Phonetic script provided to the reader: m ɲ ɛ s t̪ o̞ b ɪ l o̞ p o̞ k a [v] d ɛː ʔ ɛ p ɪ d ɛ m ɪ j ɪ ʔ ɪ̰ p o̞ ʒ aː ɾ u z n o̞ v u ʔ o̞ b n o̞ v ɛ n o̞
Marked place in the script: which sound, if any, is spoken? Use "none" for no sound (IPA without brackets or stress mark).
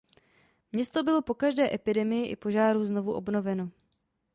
ʒ